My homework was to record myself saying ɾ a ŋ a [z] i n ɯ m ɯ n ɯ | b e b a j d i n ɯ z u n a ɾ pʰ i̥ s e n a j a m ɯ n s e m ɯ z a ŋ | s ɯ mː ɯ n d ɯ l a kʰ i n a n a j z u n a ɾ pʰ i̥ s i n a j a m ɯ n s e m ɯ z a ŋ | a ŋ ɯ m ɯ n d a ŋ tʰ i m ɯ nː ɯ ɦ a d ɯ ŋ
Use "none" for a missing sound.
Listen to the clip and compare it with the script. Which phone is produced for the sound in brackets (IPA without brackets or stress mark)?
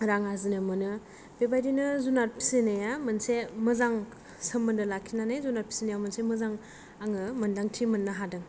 z